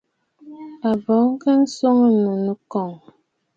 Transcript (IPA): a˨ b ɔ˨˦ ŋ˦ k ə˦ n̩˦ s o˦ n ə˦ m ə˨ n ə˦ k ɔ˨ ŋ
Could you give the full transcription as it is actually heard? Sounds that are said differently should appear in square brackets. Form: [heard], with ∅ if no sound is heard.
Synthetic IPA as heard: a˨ b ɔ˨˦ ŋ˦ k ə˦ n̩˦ s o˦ [ŋ] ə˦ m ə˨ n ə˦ k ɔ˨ ŋ